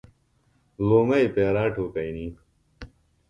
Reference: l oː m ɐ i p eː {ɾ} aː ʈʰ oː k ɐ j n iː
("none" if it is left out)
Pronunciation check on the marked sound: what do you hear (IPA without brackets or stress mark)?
ɾ